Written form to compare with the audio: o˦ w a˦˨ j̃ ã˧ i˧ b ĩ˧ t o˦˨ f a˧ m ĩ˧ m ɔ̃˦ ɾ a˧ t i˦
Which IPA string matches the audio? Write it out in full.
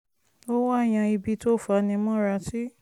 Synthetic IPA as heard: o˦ w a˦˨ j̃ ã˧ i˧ b i˧ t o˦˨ f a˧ n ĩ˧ m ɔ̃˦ ɾ a˧ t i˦